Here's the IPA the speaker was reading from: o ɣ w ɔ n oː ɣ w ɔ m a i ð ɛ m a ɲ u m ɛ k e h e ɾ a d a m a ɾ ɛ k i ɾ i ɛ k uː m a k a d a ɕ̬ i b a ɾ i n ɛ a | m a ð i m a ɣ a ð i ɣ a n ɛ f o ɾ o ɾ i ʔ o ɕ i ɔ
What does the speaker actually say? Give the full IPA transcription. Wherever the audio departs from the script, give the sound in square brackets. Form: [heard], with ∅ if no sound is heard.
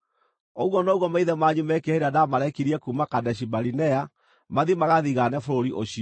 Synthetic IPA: o ɣ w ɔ n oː ɣ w ɔ m a i ð ɛ m a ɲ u m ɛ k e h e ɾ a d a m a ɾ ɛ k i ɾ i ɛ k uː m a k a d [ɛ] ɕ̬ i b a ɾ i n ɛ a | m a ð i m a ɣ a ð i ɣ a n ɛ f o ɾ o ɾ i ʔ o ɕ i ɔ